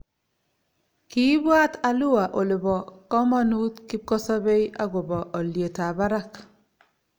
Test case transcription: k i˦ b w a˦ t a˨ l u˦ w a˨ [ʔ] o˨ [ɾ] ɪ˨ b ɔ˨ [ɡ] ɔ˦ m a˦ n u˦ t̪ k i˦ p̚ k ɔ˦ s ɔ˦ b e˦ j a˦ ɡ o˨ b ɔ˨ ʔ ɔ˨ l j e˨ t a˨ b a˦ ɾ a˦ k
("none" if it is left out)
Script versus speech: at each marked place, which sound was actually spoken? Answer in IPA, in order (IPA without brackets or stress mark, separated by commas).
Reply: ʔ, l, k